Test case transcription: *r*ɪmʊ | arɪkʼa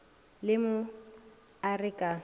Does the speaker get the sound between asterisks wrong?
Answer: yes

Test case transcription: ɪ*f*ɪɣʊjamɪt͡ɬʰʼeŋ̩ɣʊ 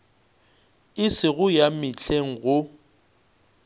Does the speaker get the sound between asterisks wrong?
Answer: yes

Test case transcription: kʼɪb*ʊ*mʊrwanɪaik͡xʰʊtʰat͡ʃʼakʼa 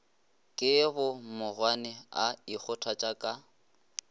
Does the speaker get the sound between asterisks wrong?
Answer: no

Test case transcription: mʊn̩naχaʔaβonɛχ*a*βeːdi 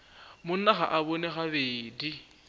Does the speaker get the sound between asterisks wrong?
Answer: no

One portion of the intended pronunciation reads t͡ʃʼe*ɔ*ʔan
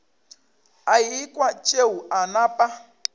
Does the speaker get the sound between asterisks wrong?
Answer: yes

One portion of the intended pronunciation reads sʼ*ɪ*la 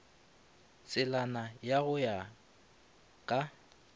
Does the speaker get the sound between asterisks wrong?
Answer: no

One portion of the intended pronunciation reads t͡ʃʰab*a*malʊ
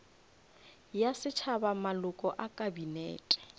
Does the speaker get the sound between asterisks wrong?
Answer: no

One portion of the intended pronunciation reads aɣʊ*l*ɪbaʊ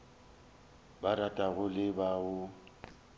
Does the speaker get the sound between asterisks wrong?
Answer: no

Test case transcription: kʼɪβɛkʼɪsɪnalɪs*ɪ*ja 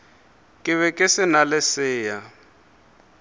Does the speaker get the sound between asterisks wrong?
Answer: yes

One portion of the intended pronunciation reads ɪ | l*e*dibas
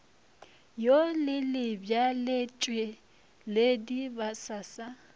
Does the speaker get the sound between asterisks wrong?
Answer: no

